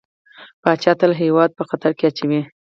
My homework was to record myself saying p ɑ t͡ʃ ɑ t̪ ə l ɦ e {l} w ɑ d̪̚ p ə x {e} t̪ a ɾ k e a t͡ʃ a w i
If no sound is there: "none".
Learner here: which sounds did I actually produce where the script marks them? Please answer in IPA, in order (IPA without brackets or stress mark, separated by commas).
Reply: none, a